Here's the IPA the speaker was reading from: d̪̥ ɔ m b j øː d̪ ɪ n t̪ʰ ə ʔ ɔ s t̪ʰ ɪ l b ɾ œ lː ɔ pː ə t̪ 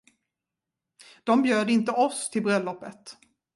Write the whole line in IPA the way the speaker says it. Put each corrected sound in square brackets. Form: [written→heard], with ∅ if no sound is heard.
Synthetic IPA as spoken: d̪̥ ɔ m b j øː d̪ ɪ n [t̪ʰ→t̪] ə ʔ ɔ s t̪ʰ ɪ l b ɾ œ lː ɔ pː ə t̪